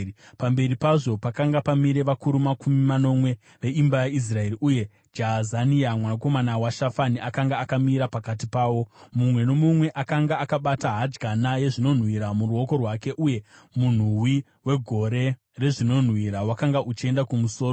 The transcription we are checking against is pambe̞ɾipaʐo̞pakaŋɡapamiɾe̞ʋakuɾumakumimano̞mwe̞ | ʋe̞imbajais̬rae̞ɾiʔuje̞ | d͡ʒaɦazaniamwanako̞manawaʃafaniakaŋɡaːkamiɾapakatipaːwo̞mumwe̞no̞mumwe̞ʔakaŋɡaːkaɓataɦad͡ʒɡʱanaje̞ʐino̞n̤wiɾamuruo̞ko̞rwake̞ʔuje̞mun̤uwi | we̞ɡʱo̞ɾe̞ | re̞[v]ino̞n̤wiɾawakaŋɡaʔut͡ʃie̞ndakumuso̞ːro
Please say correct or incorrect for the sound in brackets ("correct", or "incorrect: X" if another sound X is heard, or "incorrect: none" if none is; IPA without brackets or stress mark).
incorrect: ʐ